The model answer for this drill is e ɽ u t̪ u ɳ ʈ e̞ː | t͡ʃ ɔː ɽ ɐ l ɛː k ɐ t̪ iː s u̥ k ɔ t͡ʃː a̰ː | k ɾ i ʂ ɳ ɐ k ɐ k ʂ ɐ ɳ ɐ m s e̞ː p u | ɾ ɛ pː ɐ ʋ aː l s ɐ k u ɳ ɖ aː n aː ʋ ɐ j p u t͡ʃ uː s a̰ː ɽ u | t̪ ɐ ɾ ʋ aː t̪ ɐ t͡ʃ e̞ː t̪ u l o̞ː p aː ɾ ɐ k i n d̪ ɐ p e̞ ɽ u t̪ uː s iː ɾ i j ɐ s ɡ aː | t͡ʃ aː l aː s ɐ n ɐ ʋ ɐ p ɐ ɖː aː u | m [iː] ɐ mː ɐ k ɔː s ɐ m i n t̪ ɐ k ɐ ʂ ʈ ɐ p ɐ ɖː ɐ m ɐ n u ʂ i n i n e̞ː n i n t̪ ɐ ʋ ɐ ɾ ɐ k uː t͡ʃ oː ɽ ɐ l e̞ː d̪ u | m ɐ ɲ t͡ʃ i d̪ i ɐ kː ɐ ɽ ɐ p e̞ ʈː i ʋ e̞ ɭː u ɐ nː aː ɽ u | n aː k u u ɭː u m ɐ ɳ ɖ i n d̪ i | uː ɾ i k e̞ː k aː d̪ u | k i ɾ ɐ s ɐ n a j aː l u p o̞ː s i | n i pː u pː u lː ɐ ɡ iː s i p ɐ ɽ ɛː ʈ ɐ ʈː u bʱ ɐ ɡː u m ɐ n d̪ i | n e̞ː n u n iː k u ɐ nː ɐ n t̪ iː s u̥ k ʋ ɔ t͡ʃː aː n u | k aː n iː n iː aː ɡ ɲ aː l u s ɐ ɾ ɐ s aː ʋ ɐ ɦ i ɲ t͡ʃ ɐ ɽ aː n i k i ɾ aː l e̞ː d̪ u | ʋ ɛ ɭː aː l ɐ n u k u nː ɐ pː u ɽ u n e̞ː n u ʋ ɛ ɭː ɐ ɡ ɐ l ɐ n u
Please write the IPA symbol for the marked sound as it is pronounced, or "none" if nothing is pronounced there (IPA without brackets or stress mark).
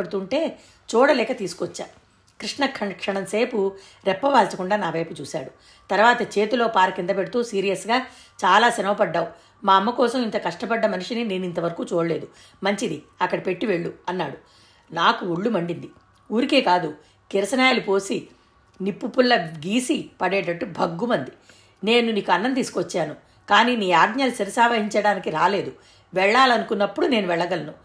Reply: aː